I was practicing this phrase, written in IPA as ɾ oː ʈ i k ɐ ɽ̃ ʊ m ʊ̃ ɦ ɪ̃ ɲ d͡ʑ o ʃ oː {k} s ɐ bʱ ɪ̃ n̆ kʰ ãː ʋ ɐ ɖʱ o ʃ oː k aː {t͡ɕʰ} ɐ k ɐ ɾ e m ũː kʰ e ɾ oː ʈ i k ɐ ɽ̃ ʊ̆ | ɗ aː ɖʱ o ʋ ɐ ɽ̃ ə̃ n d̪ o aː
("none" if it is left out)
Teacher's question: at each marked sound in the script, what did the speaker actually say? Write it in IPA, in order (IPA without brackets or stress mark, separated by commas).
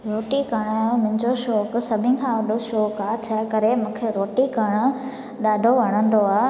k, t͡ɕʰ